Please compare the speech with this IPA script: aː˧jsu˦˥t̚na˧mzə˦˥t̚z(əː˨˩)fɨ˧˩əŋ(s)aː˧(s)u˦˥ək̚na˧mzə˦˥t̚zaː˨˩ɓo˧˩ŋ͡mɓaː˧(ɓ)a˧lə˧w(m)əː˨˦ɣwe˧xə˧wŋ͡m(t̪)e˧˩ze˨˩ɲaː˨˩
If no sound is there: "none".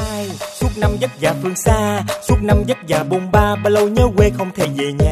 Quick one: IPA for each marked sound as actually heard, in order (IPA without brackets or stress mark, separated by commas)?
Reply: aː˨˩, s, s, ɓ, ɲ, t̪ʰ